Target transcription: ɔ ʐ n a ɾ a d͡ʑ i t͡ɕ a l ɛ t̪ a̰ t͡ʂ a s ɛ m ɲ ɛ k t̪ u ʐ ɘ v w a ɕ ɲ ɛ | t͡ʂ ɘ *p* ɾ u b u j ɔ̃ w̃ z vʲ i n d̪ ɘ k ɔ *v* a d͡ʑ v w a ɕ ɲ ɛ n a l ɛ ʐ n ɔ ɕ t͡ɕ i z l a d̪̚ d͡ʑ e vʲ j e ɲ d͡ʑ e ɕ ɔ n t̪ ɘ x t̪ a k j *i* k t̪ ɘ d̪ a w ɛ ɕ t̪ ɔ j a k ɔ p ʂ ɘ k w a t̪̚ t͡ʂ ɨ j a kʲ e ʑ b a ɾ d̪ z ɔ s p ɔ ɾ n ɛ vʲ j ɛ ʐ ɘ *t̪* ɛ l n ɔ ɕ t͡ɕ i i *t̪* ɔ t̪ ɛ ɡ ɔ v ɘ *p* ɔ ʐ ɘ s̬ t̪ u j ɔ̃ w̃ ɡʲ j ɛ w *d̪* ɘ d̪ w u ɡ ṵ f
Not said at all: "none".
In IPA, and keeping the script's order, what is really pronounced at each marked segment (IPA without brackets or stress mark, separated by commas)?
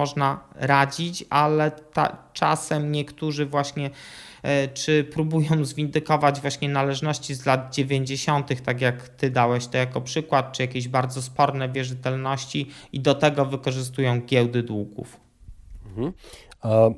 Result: p, v, a, t̪, d̪, k, d̪